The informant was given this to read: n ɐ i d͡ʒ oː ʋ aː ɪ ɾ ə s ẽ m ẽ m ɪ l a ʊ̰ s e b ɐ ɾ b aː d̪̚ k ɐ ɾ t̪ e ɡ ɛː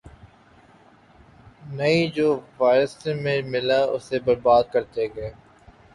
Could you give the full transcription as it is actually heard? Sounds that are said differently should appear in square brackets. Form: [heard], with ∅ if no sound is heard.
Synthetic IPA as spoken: n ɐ i d͡ʒ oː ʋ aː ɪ ɾ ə s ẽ m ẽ m ɪ l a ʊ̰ s e b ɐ ɾ b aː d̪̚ k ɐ ɾ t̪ e ɡ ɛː